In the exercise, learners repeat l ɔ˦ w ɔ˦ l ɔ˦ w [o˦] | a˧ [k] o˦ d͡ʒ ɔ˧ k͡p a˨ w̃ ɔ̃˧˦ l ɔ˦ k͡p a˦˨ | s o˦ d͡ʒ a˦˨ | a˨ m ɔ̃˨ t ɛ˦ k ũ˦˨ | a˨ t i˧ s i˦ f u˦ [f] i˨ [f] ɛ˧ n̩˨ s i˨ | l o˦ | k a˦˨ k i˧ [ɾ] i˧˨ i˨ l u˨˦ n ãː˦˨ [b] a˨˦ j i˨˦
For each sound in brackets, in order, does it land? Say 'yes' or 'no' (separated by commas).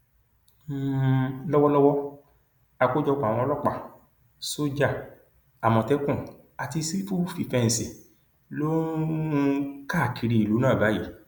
no, yes, yes, yes, yes, yes